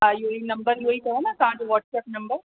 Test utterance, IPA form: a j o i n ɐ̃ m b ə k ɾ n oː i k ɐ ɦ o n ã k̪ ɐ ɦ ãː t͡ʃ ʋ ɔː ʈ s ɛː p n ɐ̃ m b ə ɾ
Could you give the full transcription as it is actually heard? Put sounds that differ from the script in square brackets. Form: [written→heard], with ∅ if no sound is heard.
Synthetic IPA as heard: a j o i n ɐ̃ m b ə [k→∅] ɾ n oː i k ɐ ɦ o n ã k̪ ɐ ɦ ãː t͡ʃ ʋ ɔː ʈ s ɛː p n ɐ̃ m b ə ɾ